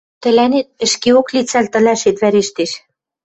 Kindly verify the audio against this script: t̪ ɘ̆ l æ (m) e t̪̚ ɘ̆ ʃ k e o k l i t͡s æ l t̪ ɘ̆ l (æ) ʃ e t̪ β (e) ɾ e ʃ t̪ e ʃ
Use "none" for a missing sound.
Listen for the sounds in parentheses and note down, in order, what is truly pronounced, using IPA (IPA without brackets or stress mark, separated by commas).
n, æ, æ